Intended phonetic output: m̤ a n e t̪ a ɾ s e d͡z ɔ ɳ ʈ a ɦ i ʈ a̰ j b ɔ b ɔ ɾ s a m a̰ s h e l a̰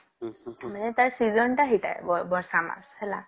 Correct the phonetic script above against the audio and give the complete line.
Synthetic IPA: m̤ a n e t̪ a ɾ s i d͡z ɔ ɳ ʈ a ɦ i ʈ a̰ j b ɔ b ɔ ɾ s a m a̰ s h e l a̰

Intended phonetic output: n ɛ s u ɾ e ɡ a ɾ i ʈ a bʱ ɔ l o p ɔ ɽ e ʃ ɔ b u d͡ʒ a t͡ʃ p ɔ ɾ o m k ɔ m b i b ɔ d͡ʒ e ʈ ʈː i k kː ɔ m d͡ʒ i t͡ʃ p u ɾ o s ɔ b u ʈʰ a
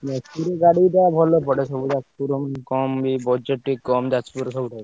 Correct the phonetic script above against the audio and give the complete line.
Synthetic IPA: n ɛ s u ɾ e ɡ a ɽ i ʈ a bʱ ɔ l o p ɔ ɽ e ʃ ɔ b u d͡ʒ a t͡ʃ p u ɾ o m k ɔ m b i b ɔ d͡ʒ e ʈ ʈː i k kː ɔ m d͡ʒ a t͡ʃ p u ɾ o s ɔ b u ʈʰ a

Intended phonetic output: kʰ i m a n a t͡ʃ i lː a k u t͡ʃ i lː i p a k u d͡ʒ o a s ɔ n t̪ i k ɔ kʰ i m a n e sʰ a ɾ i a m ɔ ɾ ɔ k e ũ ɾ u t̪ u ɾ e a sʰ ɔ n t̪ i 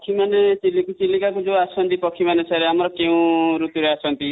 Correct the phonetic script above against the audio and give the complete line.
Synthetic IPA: kʰ i m a n e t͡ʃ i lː i k u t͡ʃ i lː i k a k u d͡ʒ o a s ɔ n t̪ i p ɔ kʰ i m a n e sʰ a ɾ e a m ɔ ɾ ɔ k e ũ ɾ u t̪ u ɾ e a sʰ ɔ n t̪ i

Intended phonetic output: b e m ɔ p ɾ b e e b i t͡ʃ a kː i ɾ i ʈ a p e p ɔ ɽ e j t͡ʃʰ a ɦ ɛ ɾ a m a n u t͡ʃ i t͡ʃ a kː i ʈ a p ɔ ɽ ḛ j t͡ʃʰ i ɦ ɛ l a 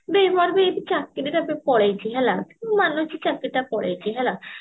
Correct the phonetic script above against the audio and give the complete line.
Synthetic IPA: b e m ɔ ɾ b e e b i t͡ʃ a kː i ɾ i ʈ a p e p ɔ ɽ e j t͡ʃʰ i ɦ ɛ l a m a n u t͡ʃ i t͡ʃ a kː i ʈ a p ɔ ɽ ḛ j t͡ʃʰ i ɦ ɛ l a

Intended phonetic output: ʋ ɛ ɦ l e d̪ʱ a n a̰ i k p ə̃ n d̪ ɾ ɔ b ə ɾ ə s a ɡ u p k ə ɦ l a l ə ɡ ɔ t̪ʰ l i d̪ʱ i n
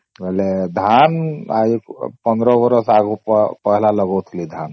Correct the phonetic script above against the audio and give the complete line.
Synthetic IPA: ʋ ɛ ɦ l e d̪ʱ a n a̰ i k p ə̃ n d̪ ɾ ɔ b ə ɾ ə s a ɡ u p p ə ɦ l a l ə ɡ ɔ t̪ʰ l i d̪ʱ a n

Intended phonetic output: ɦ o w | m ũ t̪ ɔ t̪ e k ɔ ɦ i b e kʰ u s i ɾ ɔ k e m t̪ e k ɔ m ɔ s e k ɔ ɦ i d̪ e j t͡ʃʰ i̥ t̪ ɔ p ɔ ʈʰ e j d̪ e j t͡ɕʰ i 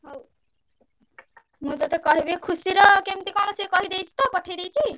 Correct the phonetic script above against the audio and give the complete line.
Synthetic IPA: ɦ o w | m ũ t̪ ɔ t̪ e k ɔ ɦ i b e kʰ u s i ɾ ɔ k e m t̪ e k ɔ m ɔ s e k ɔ ɦ i d̪ e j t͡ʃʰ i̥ t̪ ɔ p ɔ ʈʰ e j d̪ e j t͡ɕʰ i

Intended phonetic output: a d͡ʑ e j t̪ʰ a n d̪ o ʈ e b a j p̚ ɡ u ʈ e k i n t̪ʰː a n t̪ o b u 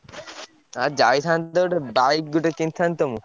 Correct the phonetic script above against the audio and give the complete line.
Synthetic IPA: a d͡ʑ a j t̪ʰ a n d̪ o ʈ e b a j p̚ ɡ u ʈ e k i n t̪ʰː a n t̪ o m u

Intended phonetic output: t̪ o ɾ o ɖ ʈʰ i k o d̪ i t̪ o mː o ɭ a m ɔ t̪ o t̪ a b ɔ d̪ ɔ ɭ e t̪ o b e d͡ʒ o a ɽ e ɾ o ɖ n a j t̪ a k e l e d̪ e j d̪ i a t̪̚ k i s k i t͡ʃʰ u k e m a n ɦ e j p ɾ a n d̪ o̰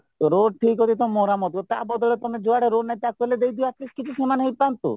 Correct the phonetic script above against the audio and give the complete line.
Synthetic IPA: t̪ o ɾ o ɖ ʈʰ i k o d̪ i t̪ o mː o ɾ a m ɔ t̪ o t̪ a b ɔ d̪ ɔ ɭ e t̪ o m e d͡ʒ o a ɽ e ɾ o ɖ n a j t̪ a k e l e d̪ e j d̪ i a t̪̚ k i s k i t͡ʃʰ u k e m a n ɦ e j p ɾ a n t̪ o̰

